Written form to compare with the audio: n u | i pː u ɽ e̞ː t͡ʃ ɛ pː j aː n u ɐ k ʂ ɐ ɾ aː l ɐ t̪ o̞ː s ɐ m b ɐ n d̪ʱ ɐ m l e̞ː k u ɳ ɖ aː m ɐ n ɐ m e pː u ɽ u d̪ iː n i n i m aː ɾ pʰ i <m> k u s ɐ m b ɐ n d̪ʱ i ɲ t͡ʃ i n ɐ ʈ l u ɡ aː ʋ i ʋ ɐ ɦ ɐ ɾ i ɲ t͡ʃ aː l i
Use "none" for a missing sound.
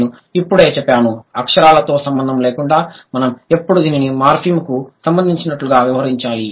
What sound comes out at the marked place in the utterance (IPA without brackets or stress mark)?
m